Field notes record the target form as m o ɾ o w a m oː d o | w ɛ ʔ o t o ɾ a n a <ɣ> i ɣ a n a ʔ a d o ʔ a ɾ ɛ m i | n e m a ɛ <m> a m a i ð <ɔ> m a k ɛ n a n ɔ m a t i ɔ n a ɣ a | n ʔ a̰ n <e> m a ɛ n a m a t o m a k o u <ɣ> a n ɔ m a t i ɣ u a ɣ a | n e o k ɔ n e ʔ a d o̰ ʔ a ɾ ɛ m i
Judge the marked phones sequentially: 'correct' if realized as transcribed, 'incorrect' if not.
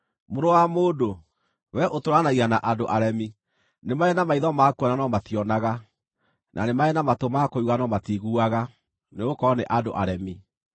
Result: correct, incorrect, correct, correct, correct

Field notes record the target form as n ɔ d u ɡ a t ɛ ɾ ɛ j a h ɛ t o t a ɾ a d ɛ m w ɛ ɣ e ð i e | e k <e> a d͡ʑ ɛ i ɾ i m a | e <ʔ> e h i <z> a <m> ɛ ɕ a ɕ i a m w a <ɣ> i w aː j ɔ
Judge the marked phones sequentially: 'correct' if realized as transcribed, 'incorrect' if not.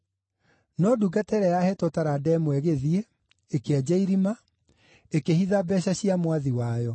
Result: correct, incorrect, incorrect, incorrect, incorrect

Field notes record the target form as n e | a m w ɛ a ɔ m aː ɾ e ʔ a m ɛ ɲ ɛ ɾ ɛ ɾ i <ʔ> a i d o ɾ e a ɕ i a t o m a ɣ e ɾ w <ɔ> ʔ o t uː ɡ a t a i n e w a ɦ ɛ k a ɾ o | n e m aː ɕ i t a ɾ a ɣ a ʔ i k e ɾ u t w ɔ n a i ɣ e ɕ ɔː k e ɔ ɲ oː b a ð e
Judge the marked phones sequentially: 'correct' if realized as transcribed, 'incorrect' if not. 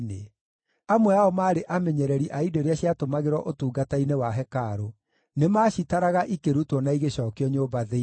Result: correct, correct

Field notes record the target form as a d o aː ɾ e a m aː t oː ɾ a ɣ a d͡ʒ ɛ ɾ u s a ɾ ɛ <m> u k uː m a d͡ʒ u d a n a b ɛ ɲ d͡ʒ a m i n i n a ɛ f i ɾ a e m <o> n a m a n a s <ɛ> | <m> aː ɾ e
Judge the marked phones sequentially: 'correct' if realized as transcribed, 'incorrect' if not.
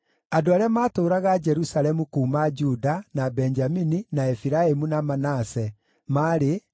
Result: correct, incorrect, correct, correct

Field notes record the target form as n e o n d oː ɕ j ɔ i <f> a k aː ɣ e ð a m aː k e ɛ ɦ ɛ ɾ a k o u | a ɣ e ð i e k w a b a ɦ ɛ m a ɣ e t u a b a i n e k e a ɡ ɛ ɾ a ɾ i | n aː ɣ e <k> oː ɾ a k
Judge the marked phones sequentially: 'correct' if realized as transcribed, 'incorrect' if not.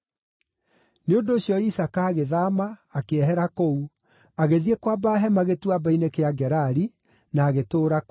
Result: incorrect, incorrect

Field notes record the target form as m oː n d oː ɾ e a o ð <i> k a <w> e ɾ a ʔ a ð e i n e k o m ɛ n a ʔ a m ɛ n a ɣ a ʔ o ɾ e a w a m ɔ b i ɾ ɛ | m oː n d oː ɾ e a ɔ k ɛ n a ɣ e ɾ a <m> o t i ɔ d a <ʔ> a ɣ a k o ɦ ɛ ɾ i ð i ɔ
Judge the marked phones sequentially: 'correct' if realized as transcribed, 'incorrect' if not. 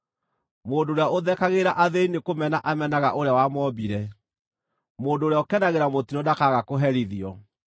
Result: incorrect, incorrect, correct, incorrect

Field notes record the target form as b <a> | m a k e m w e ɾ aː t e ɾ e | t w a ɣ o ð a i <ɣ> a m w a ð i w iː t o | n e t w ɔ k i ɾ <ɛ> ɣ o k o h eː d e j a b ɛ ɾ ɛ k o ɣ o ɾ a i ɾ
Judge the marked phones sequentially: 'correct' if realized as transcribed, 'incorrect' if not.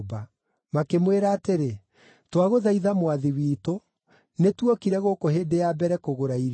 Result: correct, incorrect, correct

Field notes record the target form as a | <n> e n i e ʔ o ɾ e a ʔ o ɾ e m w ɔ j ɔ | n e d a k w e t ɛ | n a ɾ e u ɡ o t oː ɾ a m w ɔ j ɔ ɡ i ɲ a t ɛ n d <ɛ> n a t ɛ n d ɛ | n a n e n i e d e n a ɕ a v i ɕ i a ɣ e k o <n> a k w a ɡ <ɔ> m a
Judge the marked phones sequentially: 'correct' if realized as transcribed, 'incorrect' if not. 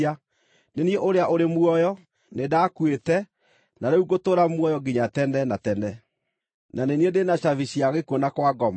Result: correct, correct, correct, correct

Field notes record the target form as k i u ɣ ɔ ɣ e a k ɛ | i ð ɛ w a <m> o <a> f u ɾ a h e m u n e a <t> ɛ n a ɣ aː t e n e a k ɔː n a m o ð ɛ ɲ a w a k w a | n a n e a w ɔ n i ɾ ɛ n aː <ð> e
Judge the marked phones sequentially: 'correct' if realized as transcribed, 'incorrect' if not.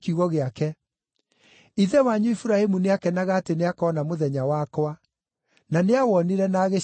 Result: incorrect, incorrect, incorrect, incorrect

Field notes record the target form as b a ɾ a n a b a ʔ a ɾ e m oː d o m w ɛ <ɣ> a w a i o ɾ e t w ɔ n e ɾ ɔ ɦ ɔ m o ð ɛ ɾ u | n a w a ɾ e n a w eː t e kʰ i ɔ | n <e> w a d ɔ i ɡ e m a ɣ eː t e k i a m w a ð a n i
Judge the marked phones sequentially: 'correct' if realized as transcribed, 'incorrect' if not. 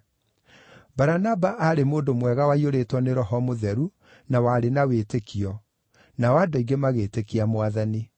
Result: correct, incorrect

